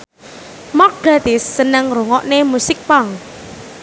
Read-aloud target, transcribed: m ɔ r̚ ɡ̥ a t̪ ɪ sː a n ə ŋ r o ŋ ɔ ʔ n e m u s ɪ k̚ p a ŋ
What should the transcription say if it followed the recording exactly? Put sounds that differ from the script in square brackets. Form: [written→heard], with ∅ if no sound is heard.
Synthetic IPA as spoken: m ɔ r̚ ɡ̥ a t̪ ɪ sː [a→ə] n ə ŋ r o ŋ ɔ ʔ n e m u s ɪ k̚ p a ŋ